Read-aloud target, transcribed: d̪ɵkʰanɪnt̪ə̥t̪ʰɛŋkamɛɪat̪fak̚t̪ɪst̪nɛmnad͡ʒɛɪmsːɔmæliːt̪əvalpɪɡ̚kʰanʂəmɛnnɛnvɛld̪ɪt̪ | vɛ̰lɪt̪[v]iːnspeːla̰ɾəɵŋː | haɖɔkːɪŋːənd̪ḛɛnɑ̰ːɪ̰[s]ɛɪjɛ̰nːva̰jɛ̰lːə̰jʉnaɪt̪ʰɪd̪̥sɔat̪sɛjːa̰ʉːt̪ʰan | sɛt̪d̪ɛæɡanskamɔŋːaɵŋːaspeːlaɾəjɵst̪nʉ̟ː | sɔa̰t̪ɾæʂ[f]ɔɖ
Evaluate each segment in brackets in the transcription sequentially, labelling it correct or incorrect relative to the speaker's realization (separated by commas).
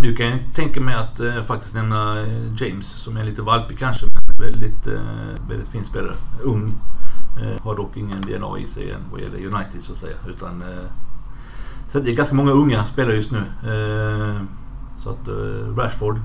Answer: incorrect, correct, correct